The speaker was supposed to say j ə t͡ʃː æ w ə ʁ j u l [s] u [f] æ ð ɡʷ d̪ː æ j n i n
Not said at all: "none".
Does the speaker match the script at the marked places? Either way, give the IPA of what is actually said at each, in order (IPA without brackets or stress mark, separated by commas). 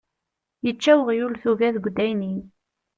θ, v